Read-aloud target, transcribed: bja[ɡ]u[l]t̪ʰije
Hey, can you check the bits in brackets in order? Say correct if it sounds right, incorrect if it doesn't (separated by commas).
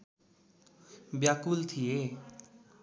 incorrect, correct